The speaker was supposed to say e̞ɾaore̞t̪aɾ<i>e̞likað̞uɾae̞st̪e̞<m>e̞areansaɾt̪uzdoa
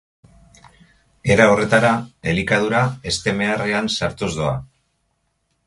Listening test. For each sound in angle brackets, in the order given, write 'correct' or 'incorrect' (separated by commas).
incorrect, correct